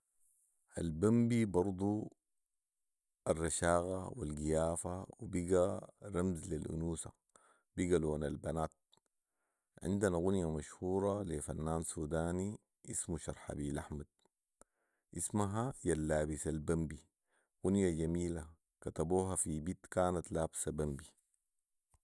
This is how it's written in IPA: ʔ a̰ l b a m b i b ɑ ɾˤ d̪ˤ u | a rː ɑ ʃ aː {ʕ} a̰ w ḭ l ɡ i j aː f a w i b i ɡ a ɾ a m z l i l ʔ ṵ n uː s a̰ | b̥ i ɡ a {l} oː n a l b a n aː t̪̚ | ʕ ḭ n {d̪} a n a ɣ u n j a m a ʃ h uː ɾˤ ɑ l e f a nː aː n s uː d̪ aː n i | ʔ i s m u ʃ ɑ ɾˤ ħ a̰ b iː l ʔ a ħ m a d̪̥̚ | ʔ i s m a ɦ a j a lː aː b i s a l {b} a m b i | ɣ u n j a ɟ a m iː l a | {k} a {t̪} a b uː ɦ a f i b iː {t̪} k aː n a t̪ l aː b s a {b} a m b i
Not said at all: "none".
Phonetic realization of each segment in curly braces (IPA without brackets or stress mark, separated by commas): ɣ, l, d̪, b, k, t̪, t̪, b